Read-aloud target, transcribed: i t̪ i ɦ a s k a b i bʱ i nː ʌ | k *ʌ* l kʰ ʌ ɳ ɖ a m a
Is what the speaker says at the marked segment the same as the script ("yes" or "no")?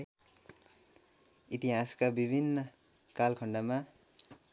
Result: no